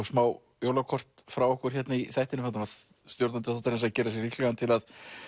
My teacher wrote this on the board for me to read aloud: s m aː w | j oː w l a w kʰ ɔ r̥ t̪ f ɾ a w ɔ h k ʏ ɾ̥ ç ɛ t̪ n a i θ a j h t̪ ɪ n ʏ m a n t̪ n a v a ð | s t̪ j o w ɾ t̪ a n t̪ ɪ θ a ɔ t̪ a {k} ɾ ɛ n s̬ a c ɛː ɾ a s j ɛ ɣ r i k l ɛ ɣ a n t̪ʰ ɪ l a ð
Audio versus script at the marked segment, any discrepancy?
yes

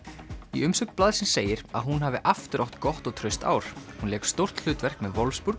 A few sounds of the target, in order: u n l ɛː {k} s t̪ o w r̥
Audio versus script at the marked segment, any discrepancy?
no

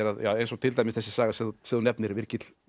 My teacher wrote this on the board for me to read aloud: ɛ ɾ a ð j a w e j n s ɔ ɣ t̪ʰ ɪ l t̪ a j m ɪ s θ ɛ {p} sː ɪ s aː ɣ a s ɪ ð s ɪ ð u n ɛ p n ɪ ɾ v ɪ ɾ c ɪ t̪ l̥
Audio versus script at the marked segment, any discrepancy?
yes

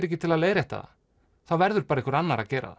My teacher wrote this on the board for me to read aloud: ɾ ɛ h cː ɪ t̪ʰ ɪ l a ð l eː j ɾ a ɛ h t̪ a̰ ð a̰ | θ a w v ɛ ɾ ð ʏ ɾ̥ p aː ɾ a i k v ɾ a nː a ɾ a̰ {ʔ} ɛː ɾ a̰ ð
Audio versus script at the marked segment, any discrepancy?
yes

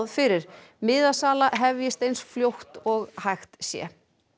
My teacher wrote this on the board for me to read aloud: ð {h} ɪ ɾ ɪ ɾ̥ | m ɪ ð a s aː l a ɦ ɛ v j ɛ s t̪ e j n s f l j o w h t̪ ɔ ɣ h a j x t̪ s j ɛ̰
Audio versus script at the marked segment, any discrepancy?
yes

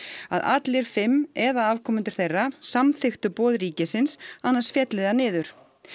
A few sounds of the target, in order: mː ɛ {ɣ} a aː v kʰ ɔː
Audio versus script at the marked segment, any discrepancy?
yes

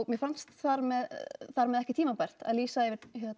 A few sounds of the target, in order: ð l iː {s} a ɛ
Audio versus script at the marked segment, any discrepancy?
no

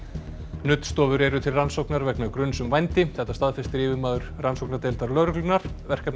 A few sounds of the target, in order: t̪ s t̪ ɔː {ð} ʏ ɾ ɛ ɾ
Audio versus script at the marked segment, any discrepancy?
yes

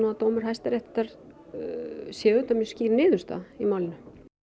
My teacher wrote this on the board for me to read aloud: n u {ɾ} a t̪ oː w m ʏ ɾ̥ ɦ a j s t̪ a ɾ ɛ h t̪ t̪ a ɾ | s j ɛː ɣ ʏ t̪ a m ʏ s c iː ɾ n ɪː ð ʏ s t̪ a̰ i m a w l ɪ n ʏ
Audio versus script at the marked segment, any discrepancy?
yes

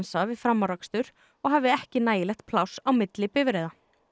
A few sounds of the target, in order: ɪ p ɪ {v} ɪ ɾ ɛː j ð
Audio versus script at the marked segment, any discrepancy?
no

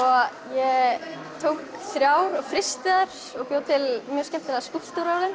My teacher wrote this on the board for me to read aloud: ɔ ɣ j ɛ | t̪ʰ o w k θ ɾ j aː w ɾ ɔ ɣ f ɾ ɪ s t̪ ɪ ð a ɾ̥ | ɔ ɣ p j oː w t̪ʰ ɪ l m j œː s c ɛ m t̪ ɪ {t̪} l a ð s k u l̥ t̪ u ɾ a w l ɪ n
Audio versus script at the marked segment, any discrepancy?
yes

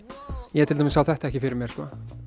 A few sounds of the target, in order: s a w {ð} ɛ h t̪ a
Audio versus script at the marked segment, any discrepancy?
yes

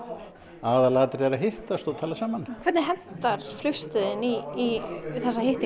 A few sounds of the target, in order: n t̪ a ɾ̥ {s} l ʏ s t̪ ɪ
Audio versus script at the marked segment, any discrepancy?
yes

